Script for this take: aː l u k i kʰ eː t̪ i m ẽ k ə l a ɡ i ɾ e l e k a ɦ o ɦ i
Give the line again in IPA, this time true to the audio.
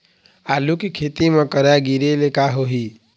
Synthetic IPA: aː l u k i kʰ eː t̪ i m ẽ k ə ɾ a ɡ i ɾ e l e k a ɦ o ɦ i